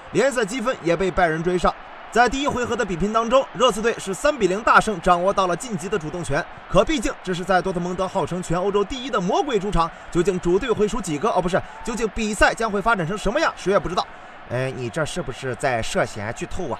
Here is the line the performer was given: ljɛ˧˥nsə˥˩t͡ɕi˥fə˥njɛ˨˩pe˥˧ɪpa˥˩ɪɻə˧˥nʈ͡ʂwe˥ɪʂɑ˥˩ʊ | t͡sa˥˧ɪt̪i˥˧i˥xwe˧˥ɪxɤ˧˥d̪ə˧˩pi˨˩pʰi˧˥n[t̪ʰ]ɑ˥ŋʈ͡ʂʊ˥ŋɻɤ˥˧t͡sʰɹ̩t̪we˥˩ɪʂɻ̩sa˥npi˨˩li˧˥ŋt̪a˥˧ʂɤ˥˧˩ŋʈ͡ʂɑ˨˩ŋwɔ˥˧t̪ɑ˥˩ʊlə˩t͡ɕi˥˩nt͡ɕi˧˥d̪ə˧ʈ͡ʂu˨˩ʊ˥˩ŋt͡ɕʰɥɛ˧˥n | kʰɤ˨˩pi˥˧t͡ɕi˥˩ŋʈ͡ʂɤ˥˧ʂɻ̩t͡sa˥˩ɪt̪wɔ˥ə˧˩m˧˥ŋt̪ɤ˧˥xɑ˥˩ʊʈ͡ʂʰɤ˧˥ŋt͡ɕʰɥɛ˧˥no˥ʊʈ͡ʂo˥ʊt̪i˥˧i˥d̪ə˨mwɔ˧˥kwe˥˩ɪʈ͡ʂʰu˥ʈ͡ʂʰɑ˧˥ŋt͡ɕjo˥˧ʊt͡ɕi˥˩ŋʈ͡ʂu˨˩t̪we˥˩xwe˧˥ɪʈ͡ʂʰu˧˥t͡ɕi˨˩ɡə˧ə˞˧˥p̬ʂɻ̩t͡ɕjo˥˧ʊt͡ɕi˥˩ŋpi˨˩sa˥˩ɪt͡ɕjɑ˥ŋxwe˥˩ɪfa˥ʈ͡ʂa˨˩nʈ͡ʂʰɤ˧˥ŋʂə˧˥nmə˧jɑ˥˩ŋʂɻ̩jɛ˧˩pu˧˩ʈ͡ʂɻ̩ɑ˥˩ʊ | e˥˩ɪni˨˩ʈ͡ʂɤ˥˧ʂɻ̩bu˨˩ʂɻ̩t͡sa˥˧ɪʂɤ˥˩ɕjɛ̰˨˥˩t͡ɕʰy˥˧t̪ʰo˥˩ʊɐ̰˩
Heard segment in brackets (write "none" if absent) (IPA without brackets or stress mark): t̪